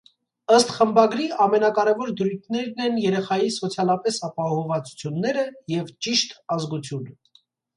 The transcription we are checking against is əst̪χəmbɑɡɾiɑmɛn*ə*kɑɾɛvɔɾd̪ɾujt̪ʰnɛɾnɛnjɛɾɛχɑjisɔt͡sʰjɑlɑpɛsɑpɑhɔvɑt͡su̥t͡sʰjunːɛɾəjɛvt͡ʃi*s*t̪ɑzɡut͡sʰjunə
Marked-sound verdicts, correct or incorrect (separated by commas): incorrect, incorrect